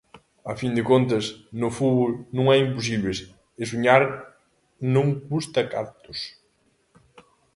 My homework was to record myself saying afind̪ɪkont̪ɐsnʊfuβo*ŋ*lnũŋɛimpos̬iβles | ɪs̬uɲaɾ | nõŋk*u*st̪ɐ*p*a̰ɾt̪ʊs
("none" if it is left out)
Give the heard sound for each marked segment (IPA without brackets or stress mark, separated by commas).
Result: none, u, k